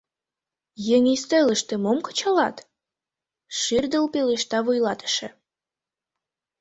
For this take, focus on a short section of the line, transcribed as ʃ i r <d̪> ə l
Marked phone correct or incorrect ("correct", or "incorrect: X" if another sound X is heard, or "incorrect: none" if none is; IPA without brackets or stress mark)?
correct